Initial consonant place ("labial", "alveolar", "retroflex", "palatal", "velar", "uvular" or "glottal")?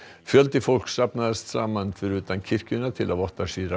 labial